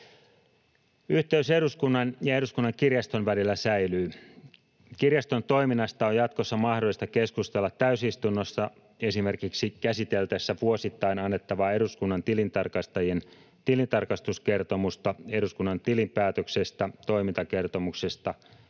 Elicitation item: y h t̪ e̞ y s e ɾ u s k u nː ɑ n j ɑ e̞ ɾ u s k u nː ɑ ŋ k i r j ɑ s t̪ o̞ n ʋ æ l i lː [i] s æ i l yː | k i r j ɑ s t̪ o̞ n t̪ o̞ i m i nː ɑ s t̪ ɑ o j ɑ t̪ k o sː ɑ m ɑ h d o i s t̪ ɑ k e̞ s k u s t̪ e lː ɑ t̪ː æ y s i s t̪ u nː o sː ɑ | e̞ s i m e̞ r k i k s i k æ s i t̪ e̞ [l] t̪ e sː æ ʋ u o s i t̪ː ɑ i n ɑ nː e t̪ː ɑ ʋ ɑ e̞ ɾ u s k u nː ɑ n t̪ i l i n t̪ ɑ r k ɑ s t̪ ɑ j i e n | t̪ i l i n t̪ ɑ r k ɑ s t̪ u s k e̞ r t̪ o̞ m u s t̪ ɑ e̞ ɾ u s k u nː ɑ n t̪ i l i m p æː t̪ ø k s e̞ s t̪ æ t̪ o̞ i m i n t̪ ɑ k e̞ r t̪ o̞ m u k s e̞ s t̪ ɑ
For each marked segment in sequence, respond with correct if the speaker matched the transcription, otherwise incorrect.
incorrect: æ, correct

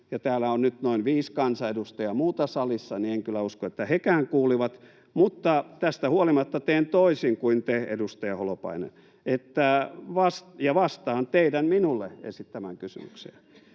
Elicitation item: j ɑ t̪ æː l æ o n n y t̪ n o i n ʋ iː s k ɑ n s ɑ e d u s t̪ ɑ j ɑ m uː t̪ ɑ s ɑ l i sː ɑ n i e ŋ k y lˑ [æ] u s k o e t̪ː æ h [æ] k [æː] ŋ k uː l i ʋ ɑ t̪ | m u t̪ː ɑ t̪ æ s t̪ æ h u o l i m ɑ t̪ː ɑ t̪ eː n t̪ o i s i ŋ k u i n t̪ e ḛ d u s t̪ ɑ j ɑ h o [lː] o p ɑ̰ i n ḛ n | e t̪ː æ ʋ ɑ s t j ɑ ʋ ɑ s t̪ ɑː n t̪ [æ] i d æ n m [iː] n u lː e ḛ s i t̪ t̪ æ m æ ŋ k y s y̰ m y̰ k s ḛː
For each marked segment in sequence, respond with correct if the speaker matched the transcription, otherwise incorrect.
correct, incorrect: e, correct, incorrect: l, incorrect: e, incorrect: i

